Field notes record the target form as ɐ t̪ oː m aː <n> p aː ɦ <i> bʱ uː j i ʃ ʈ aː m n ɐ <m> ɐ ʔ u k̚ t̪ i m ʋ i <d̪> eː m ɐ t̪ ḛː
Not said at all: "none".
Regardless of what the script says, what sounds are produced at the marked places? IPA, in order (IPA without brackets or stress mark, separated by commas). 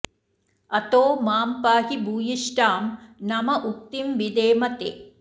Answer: m, i, m, d̪